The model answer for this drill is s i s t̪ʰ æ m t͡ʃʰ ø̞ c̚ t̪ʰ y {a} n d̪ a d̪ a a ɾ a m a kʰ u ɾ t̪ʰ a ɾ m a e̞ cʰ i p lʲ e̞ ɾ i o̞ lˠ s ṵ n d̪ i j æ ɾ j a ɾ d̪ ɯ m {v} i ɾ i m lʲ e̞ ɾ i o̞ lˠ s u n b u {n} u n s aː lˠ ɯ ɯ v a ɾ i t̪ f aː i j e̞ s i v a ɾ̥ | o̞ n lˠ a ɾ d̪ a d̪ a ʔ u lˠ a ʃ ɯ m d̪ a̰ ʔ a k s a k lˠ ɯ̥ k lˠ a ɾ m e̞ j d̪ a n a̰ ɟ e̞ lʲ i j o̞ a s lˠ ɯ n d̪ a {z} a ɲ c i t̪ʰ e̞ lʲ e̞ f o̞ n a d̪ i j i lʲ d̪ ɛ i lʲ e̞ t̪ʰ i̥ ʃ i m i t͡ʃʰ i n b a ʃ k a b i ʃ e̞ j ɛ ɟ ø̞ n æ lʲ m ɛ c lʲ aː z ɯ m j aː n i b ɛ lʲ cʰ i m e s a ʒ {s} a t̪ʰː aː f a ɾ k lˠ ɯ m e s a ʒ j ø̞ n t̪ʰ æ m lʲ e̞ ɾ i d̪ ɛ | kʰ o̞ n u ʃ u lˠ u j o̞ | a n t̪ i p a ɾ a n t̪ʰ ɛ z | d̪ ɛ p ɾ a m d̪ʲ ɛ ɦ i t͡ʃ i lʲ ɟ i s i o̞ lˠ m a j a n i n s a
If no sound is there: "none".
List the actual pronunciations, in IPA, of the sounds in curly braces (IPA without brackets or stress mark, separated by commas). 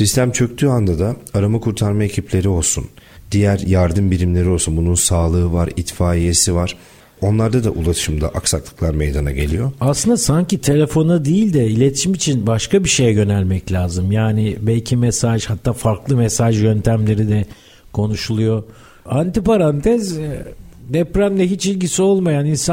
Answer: a, b, n, s, h